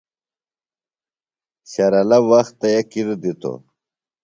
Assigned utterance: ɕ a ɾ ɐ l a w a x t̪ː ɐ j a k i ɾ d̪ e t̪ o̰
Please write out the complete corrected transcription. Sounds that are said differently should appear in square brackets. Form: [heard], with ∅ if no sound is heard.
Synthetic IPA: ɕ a ɾ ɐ l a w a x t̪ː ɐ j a k i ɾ d̪ [i] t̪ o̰